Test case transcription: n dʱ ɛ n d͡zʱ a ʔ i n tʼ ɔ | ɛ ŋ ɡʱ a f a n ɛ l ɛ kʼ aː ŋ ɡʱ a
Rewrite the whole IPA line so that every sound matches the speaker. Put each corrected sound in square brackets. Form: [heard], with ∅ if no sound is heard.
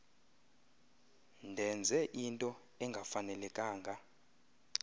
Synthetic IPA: n dʱ ɛ n d͡zʱ [ɛ] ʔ i n tʼ ɔ | ɛ ŋ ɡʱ a f a n ɛ l ɛ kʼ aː ŋ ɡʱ a

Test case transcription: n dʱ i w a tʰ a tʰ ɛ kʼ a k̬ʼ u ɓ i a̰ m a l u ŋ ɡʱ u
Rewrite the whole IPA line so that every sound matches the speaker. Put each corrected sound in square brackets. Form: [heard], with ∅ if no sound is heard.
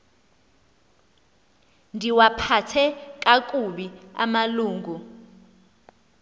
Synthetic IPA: n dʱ i w a [pʰ] a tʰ ɛ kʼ a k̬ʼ u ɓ i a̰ m a l [uː] ŋ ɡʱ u

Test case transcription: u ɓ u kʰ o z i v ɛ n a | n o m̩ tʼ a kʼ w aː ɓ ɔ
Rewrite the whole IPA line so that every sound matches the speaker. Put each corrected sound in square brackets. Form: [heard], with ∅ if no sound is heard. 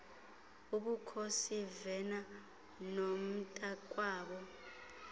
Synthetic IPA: u ɓ u kʰ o [s] i v ɛ n a | n o m̩ tʼ a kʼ w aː ɓ ɔ

